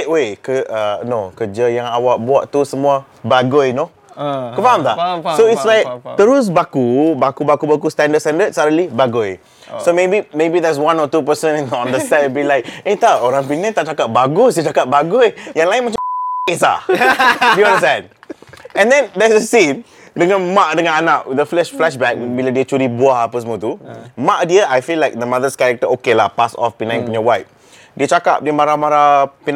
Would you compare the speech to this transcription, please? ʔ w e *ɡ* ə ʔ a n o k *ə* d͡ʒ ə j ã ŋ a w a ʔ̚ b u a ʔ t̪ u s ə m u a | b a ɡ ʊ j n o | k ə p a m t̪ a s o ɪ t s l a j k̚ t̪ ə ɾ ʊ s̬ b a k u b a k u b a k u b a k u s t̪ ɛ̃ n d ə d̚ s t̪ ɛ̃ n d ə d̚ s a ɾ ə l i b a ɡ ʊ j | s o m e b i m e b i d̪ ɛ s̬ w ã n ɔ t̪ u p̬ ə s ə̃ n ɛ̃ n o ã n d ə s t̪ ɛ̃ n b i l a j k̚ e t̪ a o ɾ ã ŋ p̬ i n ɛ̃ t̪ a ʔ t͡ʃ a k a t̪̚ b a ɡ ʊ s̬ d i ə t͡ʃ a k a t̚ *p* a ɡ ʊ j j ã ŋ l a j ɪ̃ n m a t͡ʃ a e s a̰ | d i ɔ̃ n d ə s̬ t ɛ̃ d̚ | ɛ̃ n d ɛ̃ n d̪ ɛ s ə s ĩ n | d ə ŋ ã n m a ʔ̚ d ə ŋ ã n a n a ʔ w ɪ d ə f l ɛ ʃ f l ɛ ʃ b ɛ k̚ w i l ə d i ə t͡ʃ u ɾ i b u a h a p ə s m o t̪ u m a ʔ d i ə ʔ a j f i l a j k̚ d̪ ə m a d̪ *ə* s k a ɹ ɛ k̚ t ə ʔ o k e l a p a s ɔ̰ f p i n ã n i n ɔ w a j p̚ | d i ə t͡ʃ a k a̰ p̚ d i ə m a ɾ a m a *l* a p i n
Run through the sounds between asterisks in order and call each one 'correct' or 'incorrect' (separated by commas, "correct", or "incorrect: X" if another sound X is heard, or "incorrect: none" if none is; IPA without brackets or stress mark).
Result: incorrect: k, correct, incorrect: b, correct, incorrect: ɾ